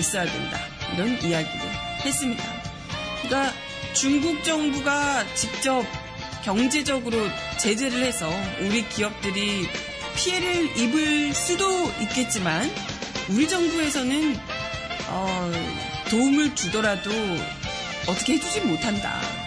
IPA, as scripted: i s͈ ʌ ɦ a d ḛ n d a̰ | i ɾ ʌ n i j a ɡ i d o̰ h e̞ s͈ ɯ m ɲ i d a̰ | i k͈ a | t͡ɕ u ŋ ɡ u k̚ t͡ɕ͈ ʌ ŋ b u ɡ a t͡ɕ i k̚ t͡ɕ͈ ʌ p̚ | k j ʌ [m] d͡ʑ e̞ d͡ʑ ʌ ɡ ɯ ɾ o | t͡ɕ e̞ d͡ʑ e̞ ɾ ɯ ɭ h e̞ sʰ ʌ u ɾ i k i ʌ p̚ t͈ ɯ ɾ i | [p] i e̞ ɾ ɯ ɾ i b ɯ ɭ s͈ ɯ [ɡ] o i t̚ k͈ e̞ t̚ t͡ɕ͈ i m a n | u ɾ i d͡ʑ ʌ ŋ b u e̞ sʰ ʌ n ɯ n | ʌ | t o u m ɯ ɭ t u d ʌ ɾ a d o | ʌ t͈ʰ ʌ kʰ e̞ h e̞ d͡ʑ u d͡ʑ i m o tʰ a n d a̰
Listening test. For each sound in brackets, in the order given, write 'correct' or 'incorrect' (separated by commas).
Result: incorrect, incorrect, incorrect